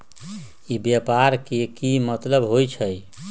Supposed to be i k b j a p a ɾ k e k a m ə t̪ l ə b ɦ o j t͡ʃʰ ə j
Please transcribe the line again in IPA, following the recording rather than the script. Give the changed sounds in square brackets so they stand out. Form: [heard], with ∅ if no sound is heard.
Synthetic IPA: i [∅] b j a p a ɾ k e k [i] m ə t̪ l ə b ɦ o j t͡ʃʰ ə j